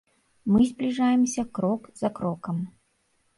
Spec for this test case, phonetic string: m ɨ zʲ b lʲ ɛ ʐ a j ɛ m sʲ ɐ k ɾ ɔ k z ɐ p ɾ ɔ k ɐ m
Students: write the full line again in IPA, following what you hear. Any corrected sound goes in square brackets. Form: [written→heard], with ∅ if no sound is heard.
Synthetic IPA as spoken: m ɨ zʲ b lʲ [ɛ→i] ʐ a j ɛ m sʲ ɐ k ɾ ɔ k z ɐ [p→k] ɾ ɔ k ɐ m